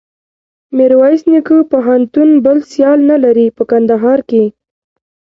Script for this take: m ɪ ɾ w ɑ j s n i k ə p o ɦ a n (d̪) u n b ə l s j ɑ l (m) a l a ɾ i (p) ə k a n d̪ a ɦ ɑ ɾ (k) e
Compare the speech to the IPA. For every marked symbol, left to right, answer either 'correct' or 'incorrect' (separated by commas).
incorrect, incorrect, correct, correct